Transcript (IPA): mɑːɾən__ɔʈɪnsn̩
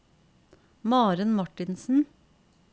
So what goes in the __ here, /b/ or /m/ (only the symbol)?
m